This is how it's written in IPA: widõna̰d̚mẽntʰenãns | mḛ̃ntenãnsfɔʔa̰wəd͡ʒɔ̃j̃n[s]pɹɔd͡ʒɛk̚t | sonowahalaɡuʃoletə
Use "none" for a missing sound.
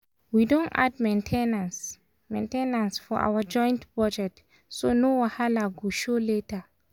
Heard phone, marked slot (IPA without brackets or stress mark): t